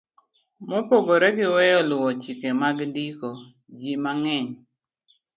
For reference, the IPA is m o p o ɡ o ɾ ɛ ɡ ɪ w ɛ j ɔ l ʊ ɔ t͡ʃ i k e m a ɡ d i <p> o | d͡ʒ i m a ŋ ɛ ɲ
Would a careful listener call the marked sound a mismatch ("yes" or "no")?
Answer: yes